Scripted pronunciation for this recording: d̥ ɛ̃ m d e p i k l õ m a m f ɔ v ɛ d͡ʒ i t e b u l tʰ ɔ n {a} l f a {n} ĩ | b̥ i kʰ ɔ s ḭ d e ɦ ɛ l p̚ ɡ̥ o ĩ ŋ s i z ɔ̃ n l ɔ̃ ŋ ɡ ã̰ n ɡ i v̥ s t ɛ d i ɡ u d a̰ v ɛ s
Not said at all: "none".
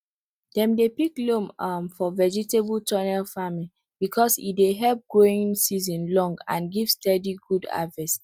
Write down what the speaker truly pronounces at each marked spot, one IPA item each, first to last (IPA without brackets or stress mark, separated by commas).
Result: ɛ, m